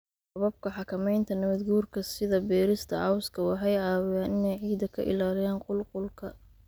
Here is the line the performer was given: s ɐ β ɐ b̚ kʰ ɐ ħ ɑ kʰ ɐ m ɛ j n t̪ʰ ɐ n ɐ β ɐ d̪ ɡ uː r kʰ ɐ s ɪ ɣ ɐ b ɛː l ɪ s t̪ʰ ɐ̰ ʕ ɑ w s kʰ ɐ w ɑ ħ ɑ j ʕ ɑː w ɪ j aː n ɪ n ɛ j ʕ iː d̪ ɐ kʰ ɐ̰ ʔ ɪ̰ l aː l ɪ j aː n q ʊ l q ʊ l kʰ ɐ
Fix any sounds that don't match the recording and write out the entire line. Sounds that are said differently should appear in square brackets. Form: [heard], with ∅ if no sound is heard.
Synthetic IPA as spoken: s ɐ β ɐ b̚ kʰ ɐ ħ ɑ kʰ ɐ m ɛ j n t̪ʰ ɐ n ɐ β ɐ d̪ ɡ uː r kʰ ɐ s ɪ [ð] ɐ b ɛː [ɾ] ɪ s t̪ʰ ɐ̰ ʕ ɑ w s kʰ ɐ w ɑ ħ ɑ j ʕ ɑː w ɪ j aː n ɪ n ɛ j ʕ iː d̪ ɐ kʰ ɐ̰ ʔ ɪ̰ l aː l ɪ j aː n q ʊ l q ʊ l kʰ ɐ